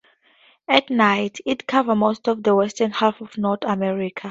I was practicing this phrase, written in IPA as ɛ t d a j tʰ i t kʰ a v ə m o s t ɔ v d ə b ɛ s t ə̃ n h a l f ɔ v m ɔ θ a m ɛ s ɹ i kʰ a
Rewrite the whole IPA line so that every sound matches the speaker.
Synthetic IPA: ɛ t n a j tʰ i t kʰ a v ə m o s t ɔ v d ə w ɛ s t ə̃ n h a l f ɔ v n ɔ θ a m ɛ ɹ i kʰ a